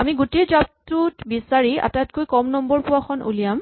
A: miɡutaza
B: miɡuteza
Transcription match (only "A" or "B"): B